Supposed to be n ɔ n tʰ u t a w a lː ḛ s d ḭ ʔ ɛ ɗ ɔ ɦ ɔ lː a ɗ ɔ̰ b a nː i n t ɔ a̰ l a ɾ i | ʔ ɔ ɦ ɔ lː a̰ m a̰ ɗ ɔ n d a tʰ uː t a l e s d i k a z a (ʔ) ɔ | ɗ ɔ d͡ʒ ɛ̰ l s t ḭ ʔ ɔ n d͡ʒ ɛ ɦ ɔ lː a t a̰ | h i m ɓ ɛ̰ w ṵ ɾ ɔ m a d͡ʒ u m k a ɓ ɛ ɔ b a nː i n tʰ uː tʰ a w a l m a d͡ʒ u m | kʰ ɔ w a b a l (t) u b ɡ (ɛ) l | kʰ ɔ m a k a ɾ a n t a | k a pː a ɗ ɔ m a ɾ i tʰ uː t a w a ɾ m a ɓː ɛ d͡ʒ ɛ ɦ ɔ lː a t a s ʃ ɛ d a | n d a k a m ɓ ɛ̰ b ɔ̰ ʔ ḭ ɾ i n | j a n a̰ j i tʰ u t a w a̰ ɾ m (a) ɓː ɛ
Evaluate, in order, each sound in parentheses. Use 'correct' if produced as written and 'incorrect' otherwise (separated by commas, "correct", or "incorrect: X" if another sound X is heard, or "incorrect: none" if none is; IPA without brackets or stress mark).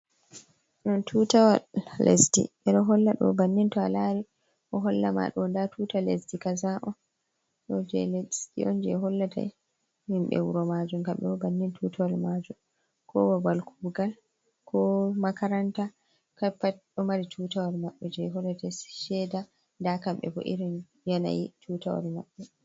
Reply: correct, incorrect: k, incorrect: a, correct